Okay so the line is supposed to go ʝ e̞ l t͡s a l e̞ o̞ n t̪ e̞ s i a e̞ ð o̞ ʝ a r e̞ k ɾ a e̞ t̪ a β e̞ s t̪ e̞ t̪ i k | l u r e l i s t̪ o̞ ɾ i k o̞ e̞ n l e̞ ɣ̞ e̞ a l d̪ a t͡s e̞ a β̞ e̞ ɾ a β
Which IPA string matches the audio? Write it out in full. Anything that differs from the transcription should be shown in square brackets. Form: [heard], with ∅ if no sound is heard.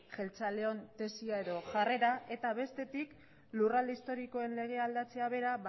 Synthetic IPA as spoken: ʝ e̞ l t͡s a l e̞ o̞ n t̪ e̞ s i a e̞ ð o̞ ʝ a r e̞ [∅] ɾ a e̞ t̪ a β e̞ s t̪ e̞ t̪ i k | l u r [a] l i s t̪ o̞ ɾ i k o̞ e̞ n l e̞ ɣ̞ e̞ a l d̪ a t͡s e̞ a β̞ e̞ ɾ a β